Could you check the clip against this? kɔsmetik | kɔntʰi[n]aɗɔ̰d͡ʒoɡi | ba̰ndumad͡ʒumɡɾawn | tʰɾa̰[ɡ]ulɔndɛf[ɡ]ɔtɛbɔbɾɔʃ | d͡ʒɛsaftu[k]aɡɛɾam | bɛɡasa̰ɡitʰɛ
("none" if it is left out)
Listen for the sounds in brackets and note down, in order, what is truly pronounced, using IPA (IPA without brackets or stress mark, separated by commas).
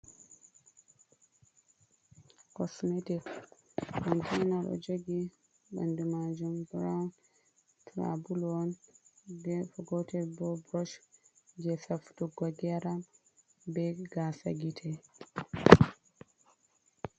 n, b, ɡ, ɡ